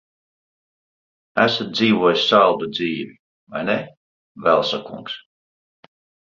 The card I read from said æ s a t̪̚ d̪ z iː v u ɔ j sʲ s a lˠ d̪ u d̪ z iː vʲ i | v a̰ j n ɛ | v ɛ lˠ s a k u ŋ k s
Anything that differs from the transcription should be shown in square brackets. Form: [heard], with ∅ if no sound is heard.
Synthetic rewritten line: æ s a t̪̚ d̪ z iː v u ɔ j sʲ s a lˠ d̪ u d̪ z iː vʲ i | v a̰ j n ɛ | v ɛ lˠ s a k u ŋ k s